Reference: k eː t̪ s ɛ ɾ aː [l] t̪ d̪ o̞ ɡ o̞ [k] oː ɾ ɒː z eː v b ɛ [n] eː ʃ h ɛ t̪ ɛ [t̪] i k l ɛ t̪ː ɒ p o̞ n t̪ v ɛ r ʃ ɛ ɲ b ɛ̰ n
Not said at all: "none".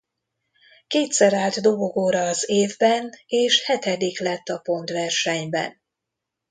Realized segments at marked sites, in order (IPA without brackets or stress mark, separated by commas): l, ɡ, n, d̪